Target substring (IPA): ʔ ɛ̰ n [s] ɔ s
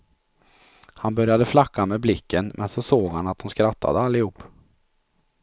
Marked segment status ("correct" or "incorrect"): correct